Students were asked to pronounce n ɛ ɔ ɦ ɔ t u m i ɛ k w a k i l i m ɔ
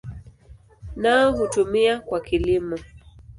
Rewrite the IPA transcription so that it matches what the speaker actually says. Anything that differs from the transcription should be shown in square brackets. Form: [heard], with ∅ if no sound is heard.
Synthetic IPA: n [a] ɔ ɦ [u] t u m i [a] k w a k i l i m ɔ